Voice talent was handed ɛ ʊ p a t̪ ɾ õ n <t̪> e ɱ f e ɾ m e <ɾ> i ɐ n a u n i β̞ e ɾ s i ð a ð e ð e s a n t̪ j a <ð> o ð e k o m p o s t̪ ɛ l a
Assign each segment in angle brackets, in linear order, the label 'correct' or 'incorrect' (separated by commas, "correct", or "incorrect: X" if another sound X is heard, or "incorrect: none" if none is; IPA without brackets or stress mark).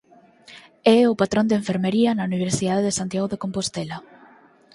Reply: incorrect: d̪, correct, incorrect: ɣ